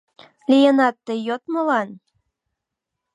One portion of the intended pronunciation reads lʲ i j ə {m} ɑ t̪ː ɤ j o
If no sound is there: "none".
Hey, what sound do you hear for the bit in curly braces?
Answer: n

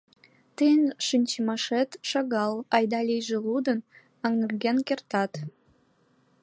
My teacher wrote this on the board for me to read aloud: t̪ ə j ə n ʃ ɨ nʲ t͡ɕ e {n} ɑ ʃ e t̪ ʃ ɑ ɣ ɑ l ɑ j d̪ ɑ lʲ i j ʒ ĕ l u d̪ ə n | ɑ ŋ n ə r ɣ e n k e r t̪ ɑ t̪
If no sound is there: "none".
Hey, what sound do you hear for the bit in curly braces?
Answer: m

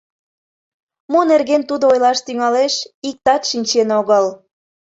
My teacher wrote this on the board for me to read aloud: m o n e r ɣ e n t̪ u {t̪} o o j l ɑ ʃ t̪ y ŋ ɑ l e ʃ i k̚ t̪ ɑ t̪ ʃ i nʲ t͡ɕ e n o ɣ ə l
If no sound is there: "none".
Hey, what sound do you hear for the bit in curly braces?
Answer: d̪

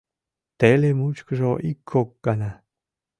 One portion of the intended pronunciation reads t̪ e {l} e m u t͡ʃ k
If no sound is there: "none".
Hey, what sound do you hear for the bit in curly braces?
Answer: l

